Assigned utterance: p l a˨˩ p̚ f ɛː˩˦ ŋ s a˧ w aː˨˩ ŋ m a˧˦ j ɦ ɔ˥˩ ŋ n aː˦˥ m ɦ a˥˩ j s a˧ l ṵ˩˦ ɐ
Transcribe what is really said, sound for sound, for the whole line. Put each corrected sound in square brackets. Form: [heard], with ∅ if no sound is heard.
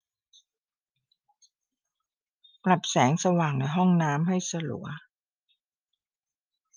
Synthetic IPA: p l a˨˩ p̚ [s] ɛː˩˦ ŋ s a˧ w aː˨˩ ŋ [n] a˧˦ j ɦ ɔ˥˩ ŋ n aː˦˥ m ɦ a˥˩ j s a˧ l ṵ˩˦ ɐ